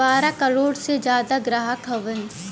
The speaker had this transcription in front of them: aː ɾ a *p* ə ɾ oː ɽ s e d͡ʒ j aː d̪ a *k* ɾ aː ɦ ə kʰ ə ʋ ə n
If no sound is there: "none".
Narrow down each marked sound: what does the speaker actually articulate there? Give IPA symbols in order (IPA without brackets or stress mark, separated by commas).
k, ɡ